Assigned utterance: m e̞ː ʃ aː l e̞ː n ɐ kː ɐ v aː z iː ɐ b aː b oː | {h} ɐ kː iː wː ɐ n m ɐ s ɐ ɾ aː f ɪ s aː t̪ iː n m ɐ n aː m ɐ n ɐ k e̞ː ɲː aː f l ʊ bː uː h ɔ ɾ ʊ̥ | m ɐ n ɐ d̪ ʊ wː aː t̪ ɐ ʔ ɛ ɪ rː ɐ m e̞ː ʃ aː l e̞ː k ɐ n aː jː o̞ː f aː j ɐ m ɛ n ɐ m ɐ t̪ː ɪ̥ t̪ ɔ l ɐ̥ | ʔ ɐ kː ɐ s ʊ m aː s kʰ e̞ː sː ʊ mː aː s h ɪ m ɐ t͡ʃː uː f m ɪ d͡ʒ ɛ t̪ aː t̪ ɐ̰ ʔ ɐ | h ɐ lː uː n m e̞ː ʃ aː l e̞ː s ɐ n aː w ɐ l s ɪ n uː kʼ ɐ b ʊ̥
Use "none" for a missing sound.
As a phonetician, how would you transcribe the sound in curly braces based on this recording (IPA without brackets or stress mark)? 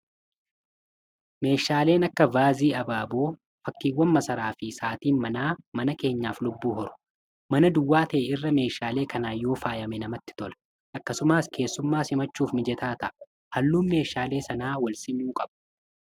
f